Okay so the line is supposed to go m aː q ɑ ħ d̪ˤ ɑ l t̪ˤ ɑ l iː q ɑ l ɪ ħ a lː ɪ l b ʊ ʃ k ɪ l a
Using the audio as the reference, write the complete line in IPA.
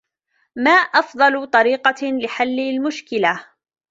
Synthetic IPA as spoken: m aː ʔ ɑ f d̪ˤ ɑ l t̪ˤ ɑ ɾ iː q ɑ l ɪ ħ a lː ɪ l m ʊ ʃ k ɪ l a

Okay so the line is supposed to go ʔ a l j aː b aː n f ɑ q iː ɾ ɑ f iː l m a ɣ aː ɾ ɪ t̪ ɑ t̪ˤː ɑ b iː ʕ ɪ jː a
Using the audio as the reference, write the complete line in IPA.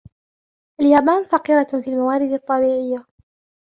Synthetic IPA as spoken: ʔ a l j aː b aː n f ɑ q iː ɾ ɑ f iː l m a w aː ɾ ɪ d̪ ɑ t̪ˤː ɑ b iː ʕ ɪ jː a

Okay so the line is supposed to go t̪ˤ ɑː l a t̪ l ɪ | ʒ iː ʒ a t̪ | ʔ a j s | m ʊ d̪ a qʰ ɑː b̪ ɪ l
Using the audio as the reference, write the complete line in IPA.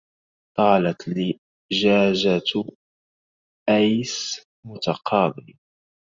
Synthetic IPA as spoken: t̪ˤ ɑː l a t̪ l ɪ | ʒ aː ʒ a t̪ | ʔ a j s | m ʊ t̪ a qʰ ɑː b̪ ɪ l

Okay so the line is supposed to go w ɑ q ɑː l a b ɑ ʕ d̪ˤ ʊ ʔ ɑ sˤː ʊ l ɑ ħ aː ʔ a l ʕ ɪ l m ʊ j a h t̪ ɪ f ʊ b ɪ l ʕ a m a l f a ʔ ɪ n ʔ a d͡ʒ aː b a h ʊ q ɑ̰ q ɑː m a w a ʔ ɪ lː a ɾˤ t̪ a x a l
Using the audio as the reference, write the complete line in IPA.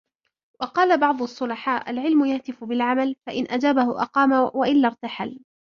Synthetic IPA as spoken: w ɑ q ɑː l a b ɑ ʕ d̪ˤ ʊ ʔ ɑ sˤː ʊ l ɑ ħ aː ʔ a l ʕ ɪ l m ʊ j a h t̪ ɪ f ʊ b ɪ l ʕ a m a l f a ʔ ɪ n ʔ a d͡ʒ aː b a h ʊ ʔ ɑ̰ q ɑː m a w a ʔ ɪ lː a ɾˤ t̪ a ħ a l

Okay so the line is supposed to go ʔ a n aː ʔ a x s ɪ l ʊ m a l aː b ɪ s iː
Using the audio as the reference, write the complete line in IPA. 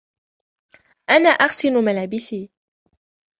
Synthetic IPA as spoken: ʔ a n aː ʔ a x s ɪ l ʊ m a l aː b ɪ s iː

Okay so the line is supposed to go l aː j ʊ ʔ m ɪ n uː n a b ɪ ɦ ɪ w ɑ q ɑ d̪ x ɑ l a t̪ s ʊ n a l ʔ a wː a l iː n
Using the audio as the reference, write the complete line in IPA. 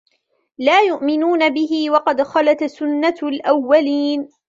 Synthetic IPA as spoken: l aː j ʊ ʔ m ɪ n uː n a b ɪ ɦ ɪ w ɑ q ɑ d̪ x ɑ l a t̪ s ʊ nː a l ʔ a wː a l iː n

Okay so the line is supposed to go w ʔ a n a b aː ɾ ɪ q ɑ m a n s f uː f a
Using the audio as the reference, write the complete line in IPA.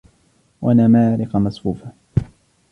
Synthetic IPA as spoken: w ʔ a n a m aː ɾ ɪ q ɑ m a s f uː f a

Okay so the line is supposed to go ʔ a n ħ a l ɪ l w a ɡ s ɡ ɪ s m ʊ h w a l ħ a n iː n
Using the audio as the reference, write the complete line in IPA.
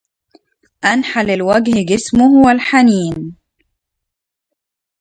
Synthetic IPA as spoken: ʔ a n ħ a l ɪ l w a ɡ h ɡ ɪ s m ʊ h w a l ħ a n iː n

